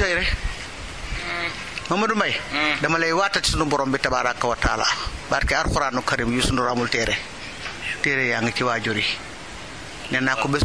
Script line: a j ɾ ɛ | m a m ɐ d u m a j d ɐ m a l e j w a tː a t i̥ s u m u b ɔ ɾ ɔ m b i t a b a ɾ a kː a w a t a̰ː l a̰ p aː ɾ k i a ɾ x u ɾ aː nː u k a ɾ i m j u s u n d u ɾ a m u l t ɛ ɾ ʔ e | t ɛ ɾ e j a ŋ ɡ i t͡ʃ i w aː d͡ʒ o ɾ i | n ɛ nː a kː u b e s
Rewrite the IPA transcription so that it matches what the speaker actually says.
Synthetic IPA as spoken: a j ɾ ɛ | m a m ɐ d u m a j d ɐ m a l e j w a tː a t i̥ s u n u b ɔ ɾ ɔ m b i t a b a ɾ a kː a w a t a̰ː l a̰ b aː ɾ k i a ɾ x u ɾ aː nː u k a ɾ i m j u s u n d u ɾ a m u l t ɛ ɾ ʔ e | t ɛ ɾ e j a ŋ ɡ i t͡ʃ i w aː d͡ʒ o ɾ i | n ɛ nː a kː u b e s